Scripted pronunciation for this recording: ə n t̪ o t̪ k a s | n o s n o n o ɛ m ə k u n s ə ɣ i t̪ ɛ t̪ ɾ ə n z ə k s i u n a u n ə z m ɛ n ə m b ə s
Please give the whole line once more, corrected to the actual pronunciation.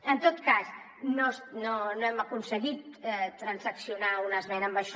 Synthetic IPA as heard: ə n t̪ o t̪ k a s | n o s n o n o ɛ m ə k u n s ə ɣ i t̪ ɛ t̪ ɾ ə n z ə k s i u n a u n ə z m ɛ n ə m b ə ʃ